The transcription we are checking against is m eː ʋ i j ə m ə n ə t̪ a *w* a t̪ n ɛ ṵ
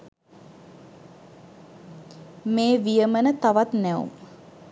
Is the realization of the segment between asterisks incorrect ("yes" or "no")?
yes